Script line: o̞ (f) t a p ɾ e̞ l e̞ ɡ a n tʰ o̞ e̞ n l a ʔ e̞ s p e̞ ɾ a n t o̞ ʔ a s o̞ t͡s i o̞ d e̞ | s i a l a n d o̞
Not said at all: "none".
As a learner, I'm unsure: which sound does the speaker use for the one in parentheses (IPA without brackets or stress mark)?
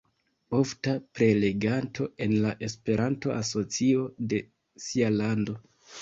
f